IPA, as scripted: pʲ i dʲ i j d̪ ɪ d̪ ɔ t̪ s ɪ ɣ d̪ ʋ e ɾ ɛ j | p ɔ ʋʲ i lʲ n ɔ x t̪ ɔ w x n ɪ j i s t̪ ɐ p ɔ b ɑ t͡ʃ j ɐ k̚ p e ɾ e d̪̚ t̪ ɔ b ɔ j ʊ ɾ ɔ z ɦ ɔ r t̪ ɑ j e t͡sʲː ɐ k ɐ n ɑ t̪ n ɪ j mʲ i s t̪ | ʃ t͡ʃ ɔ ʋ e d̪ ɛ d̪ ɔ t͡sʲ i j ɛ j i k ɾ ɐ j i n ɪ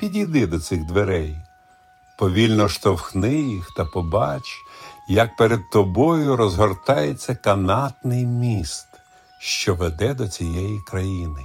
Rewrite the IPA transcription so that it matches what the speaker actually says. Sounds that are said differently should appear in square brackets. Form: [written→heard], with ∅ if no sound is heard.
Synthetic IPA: pʲ i dʲ i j d̪ ɪ d̪ ɔ t̪ s ɪ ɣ d̪ ʋ e ɾ ɛ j | p ɔ ʋʲ i lʲ n ɔ [x→ʃ] t̪ ɔ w x n ɪ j i [s→x] t̪ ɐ p ɔ b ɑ t͡ʃ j ɐ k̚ p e ɾ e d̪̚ t̪ ɔ b ɔ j ʊ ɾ ɔ z ɦ ɔ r t̪ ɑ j e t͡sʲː ɐ k ɐ n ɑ t̪ n ɪ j mʲ i s t̪ | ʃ t͡ʃ ɔ ʋ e d̪ ɛ d̪ ɔ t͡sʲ i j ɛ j i k ɾ ɐ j i n ɪ